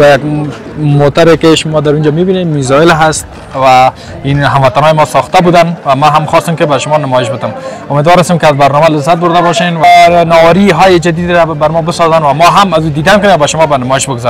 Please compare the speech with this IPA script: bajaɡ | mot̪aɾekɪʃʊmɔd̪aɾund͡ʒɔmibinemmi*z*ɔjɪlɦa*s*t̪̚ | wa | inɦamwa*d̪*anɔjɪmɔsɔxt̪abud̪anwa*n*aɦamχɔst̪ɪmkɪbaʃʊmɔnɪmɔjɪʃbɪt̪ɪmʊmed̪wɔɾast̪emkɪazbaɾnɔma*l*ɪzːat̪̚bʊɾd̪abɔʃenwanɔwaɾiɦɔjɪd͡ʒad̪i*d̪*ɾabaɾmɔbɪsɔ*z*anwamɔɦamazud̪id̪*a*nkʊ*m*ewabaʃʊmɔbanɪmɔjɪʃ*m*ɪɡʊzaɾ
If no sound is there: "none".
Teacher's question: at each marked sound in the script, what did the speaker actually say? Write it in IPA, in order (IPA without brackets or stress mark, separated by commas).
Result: z, s, t̪, m, l, d̪, z, a, n, b